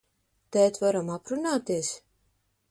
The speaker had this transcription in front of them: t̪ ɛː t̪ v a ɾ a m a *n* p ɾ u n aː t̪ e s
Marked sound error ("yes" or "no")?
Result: yes